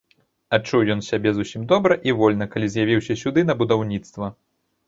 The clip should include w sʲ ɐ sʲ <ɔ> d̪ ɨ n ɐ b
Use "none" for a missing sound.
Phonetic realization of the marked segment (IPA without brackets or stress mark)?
u